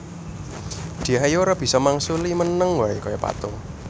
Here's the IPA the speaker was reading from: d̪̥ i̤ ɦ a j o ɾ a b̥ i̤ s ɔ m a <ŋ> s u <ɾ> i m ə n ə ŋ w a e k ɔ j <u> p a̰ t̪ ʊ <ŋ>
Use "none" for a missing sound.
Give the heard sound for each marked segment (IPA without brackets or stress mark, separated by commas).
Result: ŋ, l, ɔ, ŋ